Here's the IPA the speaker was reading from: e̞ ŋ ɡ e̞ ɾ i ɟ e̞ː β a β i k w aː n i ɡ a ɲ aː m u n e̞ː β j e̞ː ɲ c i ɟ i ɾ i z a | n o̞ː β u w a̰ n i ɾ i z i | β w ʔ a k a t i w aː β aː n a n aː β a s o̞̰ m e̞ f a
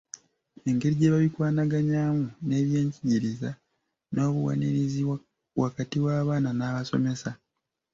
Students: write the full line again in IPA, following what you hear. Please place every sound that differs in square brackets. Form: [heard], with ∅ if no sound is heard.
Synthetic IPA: e̞ ŋ ɡ e̞ ɾ i ɟ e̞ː β a β i k w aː n [a] ɡ a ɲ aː m u n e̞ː β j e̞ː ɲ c i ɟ i ɾ i z a | n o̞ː β u w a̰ n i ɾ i z i | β w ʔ a k a t i w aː β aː n a n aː β a s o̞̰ m e̞ [s] a